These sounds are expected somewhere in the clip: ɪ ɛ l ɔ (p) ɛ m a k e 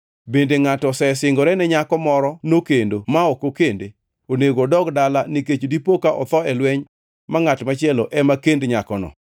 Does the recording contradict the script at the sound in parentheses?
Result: yes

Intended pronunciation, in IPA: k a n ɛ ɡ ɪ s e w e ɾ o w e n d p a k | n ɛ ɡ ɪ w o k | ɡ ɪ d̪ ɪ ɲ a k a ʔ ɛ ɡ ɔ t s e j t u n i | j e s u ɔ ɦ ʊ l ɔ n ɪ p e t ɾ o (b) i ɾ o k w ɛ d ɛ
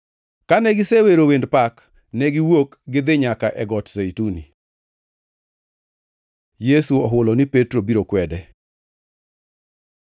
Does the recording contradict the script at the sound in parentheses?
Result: no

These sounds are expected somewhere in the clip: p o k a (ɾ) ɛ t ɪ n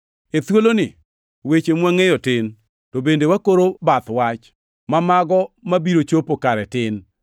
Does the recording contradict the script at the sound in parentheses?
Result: no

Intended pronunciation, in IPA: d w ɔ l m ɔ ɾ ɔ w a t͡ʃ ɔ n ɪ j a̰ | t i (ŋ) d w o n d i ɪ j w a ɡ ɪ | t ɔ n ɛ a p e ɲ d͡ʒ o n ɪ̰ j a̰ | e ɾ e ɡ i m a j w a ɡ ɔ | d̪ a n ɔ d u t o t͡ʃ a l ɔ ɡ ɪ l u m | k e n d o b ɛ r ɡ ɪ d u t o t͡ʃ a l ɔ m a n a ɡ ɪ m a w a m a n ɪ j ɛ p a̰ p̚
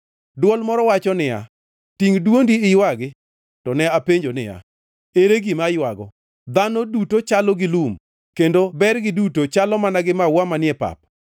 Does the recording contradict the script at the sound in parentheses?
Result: no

